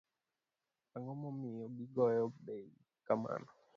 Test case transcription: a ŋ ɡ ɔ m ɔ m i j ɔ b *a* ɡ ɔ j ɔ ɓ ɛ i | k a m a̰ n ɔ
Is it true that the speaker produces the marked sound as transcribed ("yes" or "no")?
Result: no